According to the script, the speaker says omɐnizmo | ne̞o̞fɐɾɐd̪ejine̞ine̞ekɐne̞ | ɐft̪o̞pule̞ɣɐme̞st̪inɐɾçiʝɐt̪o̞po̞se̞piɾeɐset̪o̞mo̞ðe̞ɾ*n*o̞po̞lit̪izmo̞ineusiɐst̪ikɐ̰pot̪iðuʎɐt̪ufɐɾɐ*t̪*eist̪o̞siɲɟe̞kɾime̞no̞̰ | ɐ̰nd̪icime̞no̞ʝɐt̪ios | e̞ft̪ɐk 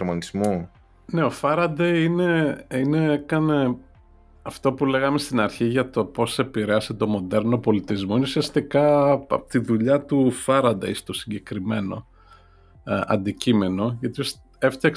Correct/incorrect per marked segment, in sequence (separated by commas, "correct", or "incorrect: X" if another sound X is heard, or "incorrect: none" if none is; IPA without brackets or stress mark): correct, incorrect: d̪